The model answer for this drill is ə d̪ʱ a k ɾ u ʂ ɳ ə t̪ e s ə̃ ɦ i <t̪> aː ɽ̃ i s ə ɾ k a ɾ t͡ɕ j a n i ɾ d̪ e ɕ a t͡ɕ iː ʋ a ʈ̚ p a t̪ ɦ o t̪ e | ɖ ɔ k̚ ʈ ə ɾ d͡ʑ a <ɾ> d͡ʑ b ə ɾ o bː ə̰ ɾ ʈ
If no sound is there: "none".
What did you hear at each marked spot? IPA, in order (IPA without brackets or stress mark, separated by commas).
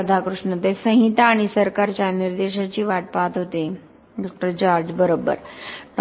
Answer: t̪, ɾ